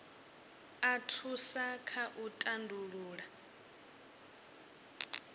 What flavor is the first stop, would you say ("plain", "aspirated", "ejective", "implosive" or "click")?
aspirated